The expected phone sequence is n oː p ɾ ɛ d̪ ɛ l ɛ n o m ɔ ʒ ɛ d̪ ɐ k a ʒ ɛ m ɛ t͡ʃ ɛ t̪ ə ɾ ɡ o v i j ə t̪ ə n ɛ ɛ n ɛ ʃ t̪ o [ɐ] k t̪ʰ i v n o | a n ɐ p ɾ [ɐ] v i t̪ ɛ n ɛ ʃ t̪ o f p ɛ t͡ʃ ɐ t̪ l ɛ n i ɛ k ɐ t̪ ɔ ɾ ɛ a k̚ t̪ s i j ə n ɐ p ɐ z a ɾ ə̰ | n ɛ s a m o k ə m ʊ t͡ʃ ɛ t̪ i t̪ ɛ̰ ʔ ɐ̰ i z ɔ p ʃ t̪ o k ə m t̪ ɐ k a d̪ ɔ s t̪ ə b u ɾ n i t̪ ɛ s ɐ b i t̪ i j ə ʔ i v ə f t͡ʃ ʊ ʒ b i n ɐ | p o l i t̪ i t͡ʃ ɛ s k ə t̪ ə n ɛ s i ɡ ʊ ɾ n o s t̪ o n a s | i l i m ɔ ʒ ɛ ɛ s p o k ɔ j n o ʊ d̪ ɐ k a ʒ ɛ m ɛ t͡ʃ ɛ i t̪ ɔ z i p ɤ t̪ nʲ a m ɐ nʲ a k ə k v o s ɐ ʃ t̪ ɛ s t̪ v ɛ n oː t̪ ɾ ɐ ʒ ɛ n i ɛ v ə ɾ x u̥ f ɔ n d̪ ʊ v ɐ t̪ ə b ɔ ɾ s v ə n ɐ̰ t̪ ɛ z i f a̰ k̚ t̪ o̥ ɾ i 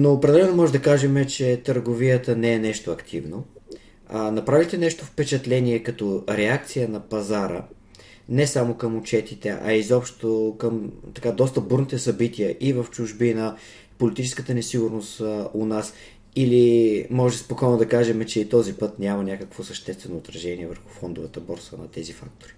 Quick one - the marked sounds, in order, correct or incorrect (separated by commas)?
correct, incorrect